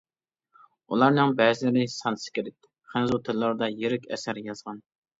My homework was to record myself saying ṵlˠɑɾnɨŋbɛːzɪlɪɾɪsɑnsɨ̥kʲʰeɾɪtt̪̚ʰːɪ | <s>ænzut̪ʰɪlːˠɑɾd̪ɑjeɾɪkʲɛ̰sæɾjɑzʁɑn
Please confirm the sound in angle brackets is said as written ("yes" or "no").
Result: no